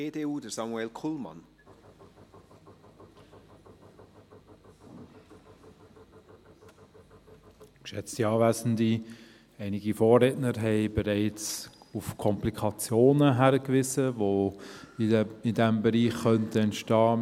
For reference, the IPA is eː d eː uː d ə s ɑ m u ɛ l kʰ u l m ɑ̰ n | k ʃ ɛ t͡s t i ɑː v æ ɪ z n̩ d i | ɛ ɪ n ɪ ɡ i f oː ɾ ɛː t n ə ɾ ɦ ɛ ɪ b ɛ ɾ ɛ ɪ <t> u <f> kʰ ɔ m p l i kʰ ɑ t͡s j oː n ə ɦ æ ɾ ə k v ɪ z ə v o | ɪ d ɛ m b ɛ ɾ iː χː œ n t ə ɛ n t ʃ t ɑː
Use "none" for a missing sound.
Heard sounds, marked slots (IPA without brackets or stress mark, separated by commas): t͡s, f